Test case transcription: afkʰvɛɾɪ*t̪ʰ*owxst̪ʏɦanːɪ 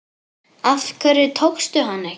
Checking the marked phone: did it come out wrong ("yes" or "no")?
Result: no